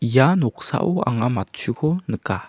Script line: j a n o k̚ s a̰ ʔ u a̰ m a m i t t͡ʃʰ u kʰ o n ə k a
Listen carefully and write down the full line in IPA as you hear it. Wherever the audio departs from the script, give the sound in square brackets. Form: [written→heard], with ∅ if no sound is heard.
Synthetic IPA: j a n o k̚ s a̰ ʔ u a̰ [m→ŋ] a m [i→a] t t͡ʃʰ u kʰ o n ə k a